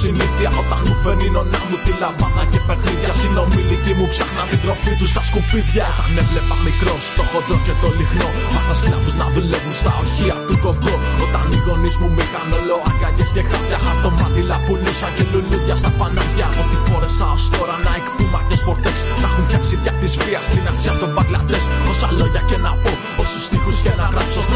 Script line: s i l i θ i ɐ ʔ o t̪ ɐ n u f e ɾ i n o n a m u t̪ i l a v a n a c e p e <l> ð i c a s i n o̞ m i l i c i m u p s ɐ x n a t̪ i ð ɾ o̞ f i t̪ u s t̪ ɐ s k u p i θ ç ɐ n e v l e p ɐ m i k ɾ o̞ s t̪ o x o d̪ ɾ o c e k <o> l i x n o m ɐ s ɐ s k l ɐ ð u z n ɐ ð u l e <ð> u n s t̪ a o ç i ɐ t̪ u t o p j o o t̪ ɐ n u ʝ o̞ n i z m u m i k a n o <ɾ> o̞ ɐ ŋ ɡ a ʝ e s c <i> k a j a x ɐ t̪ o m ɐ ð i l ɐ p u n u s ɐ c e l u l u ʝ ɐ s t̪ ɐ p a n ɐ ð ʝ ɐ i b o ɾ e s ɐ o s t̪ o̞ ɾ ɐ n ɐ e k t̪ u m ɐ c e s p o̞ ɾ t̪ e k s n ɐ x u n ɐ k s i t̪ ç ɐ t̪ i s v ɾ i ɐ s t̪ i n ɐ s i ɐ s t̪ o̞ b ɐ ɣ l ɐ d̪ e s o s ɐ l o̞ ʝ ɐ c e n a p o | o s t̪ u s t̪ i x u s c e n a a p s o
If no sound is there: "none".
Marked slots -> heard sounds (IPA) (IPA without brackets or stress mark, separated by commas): ɾ, o, v, l, e